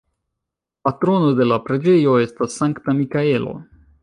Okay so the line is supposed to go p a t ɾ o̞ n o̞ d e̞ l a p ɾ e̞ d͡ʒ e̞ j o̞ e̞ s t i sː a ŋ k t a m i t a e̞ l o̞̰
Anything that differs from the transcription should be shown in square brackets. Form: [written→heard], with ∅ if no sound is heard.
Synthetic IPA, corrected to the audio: p a t ɾ o̞ n o̞ d e̞ l a p ɾ e̞ d͡ʒ e̞ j o̞ e̞ s t [i→a] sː a ŋ k t a m i [t→k] a e̞ l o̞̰